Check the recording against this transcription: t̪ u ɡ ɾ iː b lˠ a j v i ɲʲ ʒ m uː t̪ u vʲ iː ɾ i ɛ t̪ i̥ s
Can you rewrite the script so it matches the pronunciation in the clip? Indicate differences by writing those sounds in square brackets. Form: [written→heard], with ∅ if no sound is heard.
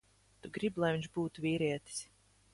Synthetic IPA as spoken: t̪ u ɡ ɾ [iː→i] b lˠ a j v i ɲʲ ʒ [m→b] uː t̪ u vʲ iː ɾ i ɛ t̪ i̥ s